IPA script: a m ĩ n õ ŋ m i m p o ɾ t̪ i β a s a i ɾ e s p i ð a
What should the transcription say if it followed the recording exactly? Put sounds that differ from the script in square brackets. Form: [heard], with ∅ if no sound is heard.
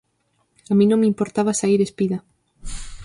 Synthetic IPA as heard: a m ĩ n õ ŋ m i m p o ɾ t̪ [a] β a s a i ɾ e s p i ð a